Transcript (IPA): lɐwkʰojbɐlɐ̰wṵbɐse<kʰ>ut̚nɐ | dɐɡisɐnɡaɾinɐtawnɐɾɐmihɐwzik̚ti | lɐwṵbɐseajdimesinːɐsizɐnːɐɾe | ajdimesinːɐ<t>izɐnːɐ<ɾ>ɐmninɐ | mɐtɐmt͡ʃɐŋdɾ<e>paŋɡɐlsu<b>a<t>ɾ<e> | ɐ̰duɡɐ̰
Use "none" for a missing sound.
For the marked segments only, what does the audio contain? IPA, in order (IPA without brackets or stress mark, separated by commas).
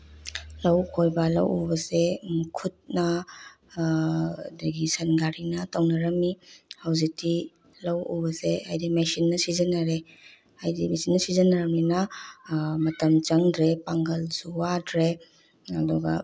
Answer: kʰ, s, ɾ, e, w, d, e